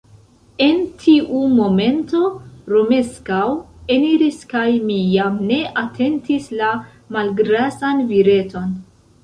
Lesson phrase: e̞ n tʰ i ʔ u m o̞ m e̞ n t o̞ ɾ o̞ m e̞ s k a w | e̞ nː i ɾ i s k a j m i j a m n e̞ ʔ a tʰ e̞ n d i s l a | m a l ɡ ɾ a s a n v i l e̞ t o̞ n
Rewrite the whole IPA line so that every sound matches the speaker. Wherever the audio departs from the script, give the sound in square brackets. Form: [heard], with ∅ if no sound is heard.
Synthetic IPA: e̞ n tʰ i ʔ u m o̞ m e̞ n t o̞ ɾ o̞ m e̞ s k a w | e̞ [n] i ɾ i s k a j m i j a m n e̞ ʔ a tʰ e̞ n [t] i s l a | m a l ɡ ɾ a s a n v i [ɾ] e̞ t o̞ n